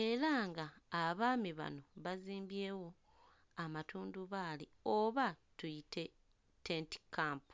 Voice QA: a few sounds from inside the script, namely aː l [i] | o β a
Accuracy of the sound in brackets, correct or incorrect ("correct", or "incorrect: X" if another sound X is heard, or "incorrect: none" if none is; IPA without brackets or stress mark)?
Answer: correct